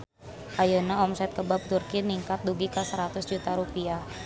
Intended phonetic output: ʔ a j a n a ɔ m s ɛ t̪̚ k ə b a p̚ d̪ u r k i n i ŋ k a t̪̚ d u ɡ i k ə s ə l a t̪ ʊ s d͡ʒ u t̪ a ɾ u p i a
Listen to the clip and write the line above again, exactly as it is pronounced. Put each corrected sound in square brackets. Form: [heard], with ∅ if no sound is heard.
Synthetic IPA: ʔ a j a n a ɔ m s ɛ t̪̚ k ə b a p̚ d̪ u r k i n i ŋ k a t̪̚ d u ɡ i k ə s ə [ɾ] a t̪ ʊ s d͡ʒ u t̪ a ɾ u p i a